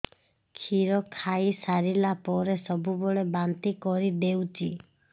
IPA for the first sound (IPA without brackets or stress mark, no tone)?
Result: kʰ